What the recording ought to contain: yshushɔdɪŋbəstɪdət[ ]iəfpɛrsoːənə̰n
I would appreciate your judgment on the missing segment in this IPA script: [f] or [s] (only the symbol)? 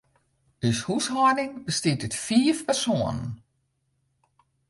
f